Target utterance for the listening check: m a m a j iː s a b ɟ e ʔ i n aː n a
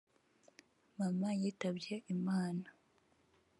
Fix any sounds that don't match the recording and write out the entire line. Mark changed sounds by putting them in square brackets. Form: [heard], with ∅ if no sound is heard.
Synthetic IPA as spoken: m a m a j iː [t] a b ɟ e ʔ i [m] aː n a